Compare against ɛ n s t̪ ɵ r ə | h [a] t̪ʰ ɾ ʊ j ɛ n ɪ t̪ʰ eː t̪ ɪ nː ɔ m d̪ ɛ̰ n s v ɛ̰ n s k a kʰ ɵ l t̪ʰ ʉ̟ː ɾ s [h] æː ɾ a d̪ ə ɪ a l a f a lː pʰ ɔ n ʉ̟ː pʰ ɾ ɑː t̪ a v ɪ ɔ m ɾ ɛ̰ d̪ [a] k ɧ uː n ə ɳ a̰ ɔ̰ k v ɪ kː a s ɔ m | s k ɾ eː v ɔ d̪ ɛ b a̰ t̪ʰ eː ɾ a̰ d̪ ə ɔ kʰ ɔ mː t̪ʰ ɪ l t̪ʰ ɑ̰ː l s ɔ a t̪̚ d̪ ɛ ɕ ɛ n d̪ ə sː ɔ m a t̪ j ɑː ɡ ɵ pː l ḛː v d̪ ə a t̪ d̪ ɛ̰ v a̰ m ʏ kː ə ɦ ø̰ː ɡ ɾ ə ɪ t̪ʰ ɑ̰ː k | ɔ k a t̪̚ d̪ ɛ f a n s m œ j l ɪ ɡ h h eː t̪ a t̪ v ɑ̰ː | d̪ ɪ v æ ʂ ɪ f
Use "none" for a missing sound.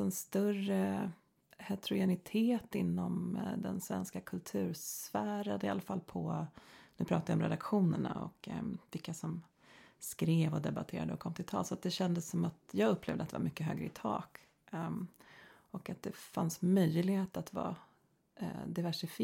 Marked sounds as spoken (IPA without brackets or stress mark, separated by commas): ɛ, f, a